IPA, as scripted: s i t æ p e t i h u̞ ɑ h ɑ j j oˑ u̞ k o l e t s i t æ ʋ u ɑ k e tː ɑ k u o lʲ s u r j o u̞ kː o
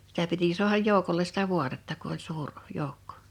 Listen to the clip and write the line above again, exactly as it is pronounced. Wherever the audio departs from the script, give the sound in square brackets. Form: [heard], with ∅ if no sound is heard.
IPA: s i t æ p [i] t i [s] u̞ ɑ h ɑ j j oˑ u̞ k o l e [s] s i t æ ʋ u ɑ [t] e tː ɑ k u o lʲ s [uː] r j o u̞ kː o